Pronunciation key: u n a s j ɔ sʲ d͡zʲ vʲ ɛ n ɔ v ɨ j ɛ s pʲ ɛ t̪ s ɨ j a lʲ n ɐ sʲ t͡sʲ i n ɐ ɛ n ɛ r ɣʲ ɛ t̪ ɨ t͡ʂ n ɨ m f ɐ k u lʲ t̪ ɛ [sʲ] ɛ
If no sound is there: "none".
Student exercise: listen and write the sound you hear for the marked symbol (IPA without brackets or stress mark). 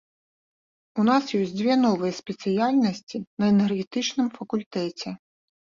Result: t͡sʲ